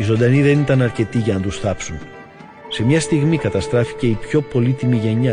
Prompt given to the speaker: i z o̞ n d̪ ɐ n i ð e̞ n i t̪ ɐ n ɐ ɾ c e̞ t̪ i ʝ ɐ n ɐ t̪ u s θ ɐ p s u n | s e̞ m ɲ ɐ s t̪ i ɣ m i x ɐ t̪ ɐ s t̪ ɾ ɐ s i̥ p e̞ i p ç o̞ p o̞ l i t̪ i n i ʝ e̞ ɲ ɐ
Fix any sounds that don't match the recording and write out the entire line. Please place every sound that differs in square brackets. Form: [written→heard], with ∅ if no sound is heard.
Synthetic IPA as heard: i z o̞ n d̪ ɐ n i ð e̞ n i t̪ ɐ n ɐ ɾ c e̞ t̪ i ʝ ɐ n ɐ t̪ u s θ ɐ p s u n | s e̞ m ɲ ɐ s t̪ i ɣ m i [x→k] ɐ t̪ ɐ s t̪ ɾ ɐ [s→f] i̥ [p→c] e̞ i p ç o̞ p o̞ l i t̪ i [n→m] i ʝ e̞ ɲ ɐ